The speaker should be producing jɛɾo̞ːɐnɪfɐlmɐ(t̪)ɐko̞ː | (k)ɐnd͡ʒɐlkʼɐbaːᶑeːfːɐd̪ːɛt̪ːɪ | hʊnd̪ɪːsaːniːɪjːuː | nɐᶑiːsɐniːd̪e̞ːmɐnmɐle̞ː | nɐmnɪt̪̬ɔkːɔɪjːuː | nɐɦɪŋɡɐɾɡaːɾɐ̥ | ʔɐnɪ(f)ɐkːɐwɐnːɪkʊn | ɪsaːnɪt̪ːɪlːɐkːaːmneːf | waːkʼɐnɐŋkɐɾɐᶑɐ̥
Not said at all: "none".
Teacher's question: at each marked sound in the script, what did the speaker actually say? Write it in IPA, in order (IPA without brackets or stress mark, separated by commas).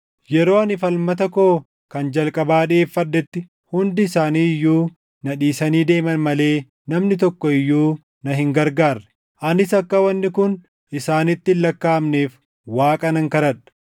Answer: t̪, k, s